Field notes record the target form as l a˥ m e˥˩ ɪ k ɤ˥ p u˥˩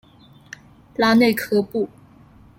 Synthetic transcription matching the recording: l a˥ n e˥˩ ɪ kʰ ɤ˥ p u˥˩